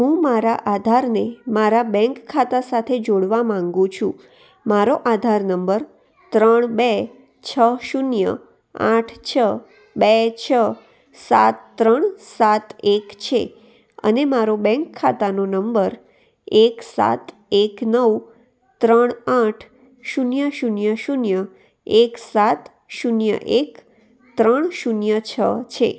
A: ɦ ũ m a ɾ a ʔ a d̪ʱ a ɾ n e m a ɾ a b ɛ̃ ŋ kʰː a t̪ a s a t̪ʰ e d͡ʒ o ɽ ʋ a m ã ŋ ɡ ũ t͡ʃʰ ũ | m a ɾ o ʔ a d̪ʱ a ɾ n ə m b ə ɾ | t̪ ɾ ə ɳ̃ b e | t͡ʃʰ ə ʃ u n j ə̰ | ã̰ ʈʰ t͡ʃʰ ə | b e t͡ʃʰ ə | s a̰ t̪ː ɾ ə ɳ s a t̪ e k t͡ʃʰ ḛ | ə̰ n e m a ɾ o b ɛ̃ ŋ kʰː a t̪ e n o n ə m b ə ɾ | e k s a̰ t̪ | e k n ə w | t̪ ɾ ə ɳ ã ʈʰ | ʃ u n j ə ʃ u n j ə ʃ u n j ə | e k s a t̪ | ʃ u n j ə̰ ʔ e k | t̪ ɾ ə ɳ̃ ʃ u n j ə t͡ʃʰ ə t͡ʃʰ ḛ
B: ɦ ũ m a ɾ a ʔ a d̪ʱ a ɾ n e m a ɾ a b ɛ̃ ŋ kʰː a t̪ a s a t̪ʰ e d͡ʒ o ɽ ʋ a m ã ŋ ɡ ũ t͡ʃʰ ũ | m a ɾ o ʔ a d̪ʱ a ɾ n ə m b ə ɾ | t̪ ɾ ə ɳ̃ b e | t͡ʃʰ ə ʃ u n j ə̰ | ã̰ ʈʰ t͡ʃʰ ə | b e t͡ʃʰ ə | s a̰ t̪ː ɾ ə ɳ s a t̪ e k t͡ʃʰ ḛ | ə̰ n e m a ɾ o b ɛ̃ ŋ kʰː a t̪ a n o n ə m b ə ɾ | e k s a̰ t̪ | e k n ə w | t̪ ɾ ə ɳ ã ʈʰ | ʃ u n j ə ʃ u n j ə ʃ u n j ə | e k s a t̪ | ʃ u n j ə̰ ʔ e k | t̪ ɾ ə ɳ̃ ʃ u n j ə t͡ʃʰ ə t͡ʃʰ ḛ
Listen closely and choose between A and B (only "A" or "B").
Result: B